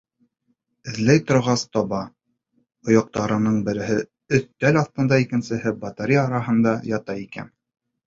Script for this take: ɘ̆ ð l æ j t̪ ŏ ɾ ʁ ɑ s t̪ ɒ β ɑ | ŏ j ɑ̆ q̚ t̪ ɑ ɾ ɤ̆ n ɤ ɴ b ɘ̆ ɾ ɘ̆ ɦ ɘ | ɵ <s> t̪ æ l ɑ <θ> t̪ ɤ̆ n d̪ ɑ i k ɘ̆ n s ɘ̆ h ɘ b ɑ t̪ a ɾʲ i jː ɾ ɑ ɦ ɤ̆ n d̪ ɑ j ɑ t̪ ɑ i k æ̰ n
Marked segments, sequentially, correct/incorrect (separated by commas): incorrect, correct